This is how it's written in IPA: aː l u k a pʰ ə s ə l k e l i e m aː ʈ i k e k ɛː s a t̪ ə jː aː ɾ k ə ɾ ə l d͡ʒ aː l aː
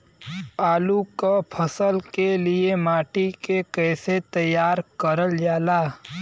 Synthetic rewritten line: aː l u k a pʰ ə s ə l k e l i e m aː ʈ i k e k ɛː s e t̪ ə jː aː ɾ k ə ɾ ə l d͡ʒ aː l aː